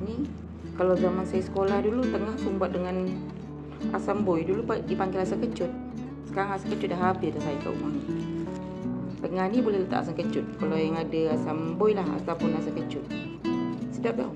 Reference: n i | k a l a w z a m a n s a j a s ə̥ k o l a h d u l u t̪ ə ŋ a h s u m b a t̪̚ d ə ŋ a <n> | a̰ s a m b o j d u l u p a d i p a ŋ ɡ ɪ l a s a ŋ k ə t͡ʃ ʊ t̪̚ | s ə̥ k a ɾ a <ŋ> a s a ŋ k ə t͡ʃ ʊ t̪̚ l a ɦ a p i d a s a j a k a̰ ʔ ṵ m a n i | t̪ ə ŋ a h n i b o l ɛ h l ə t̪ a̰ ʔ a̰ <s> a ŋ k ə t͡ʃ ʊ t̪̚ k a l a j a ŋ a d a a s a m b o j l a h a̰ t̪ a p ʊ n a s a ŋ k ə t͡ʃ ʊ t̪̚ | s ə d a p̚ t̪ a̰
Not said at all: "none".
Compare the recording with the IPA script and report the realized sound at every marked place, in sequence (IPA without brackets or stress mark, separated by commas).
n, ŋ, s